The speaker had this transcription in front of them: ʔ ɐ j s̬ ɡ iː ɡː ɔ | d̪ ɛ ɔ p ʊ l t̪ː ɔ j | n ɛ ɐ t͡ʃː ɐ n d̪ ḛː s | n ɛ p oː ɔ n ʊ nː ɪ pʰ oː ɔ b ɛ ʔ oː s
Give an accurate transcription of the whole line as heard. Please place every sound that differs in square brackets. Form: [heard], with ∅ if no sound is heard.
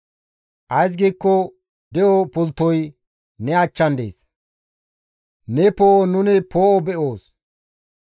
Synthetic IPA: ʔ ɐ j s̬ ɡ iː [kː] ɔ | d̪ ɛ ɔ p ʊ l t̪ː ɔ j | n ɛ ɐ t͡ʃː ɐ n d̪ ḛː s | n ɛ p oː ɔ n ʊ [n] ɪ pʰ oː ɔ b ɛ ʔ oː s